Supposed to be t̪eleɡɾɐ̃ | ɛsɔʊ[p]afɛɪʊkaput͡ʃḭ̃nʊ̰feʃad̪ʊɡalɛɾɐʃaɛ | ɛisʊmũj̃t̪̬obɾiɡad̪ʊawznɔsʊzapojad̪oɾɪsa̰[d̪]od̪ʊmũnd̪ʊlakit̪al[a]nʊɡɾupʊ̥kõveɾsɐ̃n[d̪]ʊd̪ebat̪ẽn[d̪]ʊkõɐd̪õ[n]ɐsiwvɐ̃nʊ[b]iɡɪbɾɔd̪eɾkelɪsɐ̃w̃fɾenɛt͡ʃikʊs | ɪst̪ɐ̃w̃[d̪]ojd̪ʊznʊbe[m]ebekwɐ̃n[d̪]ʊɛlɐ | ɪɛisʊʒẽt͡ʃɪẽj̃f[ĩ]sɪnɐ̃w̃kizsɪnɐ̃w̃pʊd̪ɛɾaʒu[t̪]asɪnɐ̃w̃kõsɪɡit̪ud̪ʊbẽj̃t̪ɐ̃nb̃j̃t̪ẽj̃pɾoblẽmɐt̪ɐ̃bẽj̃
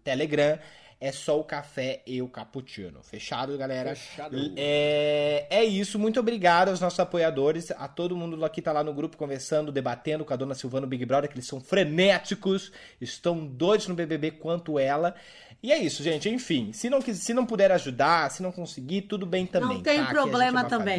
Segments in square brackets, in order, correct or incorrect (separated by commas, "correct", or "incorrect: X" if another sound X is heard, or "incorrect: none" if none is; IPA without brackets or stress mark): incorrect: k, incorrect: t̪, correct, correct, correct, correct, correct, correct, incorrect: b, incorrect: t̪, correct, incorrect: d̪